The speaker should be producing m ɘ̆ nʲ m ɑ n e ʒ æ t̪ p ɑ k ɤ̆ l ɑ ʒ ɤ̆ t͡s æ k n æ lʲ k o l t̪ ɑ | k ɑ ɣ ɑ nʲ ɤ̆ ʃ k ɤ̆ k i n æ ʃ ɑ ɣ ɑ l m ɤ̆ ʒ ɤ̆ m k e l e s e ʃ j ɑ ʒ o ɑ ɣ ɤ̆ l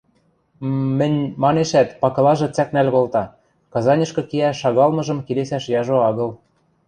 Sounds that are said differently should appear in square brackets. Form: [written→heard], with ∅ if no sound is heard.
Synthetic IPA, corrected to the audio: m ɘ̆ nʲ m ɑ n e [ʒ→ʃ] æ t̪ p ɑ k ɤ̆ l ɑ ʒ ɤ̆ t͡s æ k n æ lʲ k o l t̪ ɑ | k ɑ [ɣ→z] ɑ nʲ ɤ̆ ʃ k ɤ̆ k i [n→∅] æ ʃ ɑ ɣ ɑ l m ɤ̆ ʒ ɤ̆ m k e l e s [e→æ] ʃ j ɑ ʒ o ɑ ɣ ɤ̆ l

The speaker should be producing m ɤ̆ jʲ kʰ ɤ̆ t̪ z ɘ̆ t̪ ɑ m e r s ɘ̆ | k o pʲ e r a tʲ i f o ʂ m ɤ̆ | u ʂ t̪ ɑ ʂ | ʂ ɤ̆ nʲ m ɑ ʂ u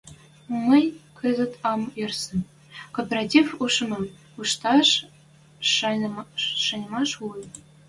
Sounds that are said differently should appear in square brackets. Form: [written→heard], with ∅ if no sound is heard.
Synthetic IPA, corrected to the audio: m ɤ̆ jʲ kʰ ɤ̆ [t̪→∅] z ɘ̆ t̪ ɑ m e r s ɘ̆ | k o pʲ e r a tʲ i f [o→u] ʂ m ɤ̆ | u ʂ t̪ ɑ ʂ | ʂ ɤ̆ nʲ m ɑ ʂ u

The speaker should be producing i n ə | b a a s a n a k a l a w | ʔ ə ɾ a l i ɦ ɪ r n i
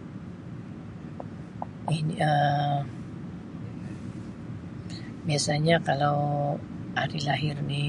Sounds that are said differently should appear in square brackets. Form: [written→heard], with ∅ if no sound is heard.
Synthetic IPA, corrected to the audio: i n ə | b [a→i] a s a [n→ɲ] a k a l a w | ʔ [ə→a] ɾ [a→i] l [i→a] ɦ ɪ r n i

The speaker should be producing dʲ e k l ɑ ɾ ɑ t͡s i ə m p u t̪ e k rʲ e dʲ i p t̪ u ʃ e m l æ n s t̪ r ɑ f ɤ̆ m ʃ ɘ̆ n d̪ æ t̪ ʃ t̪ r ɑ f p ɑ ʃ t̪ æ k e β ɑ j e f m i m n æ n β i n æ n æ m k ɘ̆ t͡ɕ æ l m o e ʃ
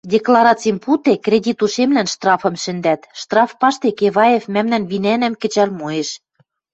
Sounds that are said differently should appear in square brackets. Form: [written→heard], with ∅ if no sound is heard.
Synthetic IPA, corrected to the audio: dʲ e k l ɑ ɾ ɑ t͡s i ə m p u t̪ e k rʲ e dʲ i [p→∅] t̪ u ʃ e m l æ n [s→ʃ] t̪ r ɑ f ɤ̆ m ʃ ɘ̆ n d̪ æ t̪ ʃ t̪ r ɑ f p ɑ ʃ t̪ [æ→e] k e β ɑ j e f m [i→æ] m n æ n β i n æ n æ m k ɘ̆ t͡ɕ æ l m o e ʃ

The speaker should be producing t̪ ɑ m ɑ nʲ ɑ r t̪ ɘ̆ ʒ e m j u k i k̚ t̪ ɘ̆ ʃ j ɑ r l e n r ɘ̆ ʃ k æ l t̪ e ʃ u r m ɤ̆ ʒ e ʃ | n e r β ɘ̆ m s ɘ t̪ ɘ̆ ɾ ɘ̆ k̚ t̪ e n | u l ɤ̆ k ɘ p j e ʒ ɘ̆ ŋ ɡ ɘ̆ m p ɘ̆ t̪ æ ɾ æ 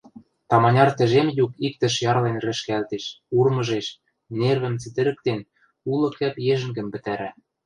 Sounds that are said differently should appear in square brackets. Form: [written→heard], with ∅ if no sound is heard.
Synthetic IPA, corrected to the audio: t̪ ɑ m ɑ nʲ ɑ r t̪ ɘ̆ ʒ e m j u k i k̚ t̪ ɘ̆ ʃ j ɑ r l e n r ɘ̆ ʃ k æ l t̪ e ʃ u r m ɤ̆ ʒ e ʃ | n e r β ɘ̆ m [s→t͡s] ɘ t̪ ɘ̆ ɾ ɘ̆ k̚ t̪ e n | u l ɤ̆ k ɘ p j e ʒ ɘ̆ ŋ ɡ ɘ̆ m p ɘ̆ t̪ æ ɾ æ

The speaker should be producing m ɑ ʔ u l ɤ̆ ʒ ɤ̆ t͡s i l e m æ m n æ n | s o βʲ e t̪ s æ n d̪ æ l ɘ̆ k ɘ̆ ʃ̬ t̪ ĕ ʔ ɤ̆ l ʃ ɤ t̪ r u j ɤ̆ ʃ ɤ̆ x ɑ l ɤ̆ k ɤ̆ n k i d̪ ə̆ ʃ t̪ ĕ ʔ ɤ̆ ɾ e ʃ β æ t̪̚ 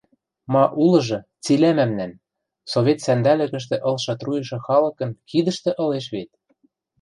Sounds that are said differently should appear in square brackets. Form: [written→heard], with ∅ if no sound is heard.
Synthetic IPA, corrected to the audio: m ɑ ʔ u l ɤ̆ ʒ ɤ̆ t͡s i l [e→æ] m æ m n æ n | s o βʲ e t̪ s æ n d̪ æ l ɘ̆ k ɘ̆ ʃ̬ t̪ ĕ ʔ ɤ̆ l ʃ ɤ t̪ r u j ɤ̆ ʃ ɤ̆ x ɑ l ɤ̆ k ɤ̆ n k i d̪ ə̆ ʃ t̪ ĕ ʔ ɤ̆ [ɾ→l] e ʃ β [æ→e] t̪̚

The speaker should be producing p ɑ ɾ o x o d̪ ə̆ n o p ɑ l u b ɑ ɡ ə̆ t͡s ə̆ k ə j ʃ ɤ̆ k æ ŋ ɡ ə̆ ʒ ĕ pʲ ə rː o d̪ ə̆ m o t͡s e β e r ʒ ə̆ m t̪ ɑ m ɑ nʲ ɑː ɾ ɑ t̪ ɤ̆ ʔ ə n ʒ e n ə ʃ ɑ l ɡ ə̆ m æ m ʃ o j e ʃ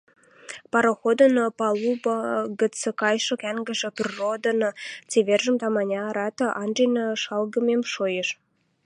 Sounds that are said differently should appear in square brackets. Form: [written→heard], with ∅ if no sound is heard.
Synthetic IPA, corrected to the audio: p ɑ ɾ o x o d̪ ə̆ n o p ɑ l u b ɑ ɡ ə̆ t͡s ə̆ k [ə→ɑ] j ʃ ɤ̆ k æ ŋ ɡ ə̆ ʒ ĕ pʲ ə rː o d̪ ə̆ [m→n] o t͡s e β e r ʒ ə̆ m t̪ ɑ m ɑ nʲ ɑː ɾ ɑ t̪ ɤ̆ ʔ [ə→ɑ] n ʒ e n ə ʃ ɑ l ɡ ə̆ m [æ→e] m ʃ o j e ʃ

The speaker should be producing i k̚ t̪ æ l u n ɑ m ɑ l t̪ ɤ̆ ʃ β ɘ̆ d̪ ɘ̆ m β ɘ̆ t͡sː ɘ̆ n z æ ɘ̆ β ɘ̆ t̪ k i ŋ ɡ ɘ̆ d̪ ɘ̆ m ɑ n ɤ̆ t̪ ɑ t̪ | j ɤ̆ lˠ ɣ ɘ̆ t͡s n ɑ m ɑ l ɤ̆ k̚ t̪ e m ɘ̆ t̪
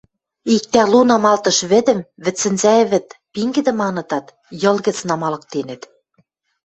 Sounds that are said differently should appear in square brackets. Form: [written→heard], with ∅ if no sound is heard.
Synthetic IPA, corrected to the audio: i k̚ t̪ æ l u n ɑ m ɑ l t̪ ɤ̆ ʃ β ɘ̆ d̪ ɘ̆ m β ɘ̆ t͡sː ɘ̆ n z æ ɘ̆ β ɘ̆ t̪ [k→p] i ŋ ɡ ɘ̆ d̪ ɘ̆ m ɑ n ɤ̆ t̪ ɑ t̪ | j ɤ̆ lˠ ɣ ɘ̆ t͡s n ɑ m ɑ l ɤ̆ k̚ t̪ e [m→n] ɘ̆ t̪

